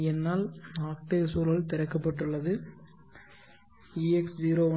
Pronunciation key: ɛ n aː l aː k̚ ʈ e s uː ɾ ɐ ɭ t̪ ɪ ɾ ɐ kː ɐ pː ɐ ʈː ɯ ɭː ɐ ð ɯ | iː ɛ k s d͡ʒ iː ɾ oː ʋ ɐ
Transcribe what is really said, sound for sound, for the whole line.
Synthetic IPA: ɛ nː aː l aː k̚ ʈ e s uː ɾ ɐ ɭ t̪ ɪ ɾ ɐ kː ɐ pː ɐ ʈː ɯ ɭː ɐ ð ɯ | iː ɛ k s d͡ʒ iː ɾ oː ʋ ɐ